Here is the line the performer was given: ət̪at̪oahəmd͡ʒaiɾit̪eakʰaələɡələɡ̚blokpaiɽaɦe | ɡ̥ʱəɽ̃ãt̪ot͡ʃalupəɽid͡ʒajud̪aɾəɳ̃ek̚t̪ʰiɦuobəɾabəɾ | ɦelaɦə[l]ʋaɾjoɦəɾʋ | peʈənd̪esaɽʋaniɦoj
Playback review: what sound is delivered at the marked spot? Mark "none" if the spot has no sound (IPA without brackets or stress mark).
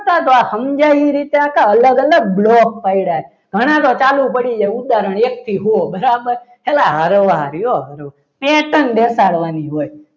ɾ